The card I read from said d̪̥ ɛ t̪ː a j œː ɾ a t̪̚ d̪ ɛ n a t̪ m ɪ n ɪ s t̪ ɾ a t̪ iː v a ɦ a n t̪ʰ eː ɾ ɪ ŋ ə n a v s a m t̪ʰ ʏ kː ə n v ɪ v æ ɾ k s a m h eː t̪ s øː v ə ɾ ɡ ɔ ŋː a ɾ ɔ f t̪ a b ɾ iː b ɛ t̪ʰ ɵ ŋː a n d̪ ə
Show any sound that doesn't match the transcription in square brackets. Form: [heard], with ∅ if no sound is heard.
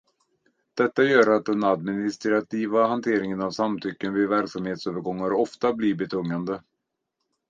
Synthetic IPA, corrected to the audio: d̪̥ ɛ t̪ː a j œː ɾ a t̪̚ d̪ ɛ n a [d̪] m ɪ n ɪ s t̪ ɾ a t̪ iː v a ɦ a n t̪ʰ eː ɾ ɪ ŋ ə n a v s a m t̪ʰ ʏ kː ə n v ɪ v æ ɾ k s a m h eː t̪ s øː v ə ɾ ɡ ɔ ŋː a ɾ ɔ f t̪ a b [l] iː b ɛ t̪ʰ ɵ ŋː a n d̪ ə